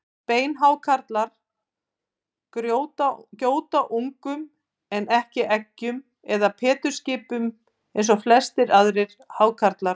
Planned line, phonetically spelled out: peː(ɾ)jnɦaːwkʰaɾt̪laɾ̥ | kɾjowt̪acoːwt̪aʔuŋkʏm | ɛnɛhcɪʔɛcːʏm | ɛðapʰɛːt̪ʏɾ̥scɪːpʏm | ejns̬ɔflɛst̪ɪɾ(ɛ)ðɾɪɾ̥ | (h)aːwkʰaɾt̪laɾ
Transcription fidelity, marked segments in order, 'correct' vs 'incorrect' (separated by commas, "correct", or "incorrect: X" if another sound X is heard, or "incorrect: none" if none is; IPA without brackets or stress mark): incorrect: none, incorrect: a, correct